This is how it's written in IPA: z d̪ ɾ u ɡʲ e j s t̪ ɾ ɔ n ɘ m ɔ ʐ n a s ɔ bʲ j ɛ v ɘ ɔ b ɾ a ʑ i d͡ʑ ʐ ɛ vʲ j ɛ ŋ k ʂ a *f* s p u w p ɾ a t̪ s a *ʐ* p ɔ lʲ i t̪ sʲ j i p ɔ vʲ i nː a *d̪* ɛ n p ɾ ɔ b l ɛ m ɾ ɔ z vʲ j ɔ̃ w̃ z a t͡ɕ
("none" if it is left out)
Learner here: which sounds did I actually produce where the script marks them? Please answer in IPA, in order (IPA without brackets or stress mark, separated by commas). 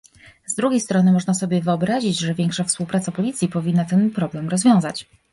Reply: f, none, t̪